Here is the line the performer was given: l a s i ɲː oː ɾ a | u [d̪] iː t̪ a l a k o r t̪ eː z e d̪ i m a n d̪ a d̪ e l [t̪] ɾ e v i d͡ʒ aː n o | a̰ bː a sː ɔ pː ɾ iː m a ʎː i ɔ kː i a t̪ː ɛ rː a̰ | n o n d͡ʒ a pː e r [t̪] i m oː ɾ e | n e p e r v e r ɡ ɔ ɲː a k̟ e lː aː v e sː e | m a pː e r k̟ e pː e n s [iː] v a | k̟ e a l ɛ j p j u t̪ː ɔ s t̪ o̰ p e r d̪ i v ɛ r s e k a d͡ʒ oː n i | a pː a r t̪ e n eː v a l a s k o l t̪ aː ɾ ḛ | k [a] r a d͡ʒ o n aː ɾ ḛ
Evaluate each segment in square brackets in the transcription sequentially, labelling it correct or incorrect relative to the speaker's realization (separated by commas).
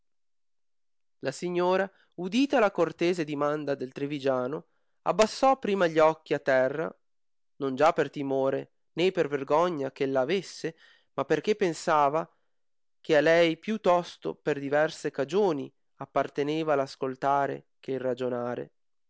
correct, correct, correct, incorrect, incorrect